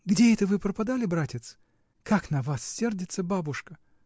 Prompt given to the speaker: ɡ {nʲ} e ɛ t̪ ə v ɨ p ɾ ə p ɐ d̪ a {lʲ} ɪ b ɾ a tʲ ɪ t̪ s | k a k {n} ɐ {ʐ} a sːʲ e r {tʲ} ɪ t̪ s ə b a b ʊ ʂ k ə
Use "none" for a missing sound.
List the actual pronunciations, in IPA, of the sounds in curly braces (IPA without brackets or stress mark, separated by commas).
dʲ, lʲ, n, v, dʲ